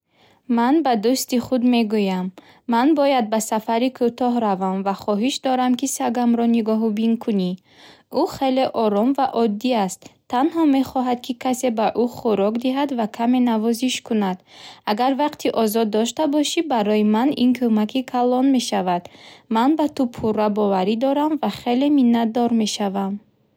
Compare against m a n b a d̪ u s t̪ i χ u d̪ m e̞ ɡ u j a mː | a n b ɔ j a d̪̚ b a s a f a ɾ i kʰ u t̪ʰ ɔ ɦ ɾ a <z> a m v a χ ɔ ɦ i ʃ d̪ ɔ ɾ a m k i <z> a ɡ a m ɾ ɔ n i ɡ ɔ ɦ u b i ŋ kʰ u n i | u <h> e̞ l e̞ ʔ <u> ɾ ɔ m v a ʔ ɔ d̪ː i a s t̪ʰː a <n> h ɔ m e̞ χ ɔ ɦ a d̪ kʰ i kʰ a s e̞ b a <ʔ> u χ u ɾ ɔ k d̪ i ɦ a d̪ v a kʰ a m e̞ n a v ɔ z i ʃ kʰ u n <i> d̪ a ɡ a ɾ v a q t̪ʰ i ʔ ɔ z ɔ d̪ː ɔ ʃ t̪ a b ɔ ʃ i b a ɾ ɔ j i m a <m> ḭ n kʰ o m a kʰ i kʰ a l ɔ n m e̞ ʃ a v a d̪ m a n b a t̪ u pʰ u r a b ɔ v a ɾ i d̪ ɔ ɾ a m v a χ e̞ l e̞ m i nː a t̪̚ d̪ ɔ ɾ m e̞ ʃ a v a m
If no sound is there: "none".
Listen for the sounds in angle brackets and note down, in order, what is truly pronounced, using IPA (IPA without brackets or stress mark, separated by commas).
v, s, χ, ɔ, n, ʔ, a, n